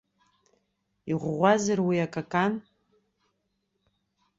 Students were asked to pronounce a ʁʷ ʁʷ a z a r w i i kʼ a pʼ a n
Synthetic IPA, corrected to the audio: i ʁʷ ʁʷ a z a r w i a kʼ a kʼ a n